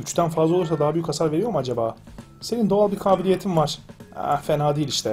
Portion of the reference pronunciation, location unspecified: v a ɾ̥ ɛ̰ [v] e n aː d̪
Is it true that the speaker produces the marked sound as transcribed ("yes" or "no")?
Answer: no